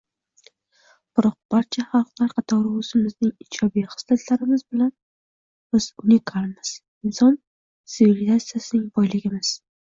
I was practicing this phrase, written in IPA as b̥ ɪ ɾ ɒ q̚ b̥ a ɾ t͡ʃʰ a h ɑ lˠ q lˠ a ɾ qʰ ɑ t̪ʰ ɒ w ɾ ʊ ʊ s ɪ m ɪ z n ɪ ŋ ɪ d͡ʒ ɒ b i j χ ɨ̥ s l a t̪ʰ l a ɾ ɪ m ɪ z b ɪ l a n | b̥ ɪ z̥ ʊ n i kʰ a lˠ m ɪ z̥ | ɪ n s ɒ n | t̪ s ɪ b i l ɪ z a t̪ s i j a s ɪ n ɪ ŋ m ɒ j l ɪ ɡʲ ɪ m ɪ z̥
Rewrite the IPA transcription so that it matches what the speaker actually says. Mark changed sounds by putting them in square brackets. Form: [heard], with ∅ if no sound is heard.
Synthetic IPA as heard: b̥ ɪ ɾ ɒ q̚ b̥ a ɾ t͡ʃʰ a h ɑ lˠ q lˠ a ɾ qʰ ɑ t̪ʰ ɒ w ɾ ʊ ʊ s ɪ m ɪ z n ɪ ŋ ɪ d͡ʒ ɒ b i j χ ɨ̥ s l a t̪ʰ l a ɾ ɪ m ɪ z b ɪ l a n | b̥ ɪ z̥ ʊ n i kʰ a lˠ m ɪ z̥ | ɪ n s ɒ n | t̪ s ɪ [v] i l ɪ z a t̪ s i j a s ɪ n ɪ ŋ [b] ɒ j l ɪ ɡʲ ɪ m ɪ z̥

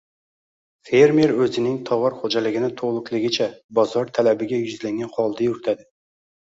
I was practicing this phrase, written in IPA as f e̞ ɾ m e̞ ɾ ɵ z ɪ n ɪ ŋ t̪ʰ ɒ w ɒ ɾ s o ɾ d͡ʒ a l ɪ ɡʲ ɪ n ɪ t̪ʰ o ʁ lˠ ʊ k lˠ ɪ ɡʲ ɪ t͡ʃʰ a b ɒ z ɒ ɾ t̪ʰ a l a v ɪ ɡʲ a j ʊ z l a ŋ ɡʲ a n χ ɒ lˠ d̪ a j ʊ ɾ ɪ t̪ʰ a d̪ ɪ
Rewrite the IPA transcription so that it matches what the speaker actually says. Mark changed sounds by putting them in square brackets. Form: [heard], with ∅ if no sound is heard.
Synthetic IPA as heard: f e̞ ɾ m e̞ ɾ ɵ z ɪ n ɪ ŋ t̪ʰ ɒ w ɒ ɾ [χ] o [∅] d͡ʒ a l ɪ ɡʲ ɪ n ɪ t̪ʰ o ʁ lˠ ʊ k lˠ ɪ ɡʲ ɪ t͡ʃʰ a b ɒ z ɒ ɾ t̪ʰ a l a [b] ɪ ɡʲ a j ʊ z l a ŋ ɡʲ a n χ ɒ lˠ d̪ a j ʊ ɾ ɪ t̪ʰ a d̪ ɪ

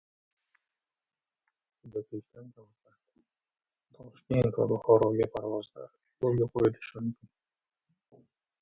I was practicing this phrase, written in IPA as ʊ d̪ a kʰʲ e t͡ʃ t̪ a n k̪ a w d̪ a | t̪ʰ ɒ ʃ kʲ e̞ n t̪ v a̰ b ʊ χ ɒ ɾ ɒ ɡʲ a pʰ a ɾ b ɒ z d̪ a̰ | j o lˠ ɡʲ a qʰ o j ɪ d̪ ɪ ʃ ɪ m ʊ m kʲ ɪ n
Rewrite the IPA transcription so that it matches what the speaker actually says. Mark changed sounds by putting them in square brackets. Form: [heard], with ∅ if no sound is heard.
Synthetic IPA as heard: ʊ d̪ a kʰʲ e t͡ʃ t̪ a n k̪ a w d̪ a | t̪ʰ ɒ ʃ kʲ e̞ n t̪ v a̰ b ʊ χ ɒ ɾ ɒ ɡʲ a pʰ a ɾ [v] ɒ z d̪ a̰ | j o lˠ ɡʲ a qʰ o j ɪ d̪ ɪ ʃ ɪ m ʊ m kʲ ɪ n

